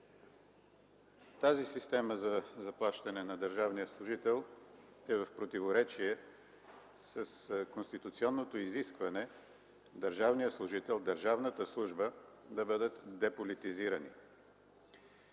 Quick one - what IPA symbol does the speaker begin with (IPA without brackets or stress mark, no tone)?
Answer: t̪